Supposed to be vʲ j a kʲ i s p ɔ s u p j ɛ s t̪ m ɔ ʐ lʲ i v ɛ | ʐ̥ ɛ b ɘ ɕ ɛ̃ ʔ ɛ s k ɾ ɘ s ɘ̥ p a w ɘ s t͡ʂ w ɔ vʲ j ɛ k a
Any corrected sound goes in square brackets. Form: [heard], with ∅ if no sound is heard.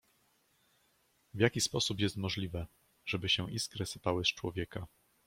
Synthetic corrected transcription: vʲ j a kʲ i s p ɔ s u p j ɛ s t̪ m ɔ ʐ lʲ i v ɛ | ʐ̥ ɛ b ɘ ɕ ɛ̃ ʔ [i] s k ɾ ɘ s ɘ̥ p a w ɘ s t͡ʂ w ɔ vʲ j ɛ k a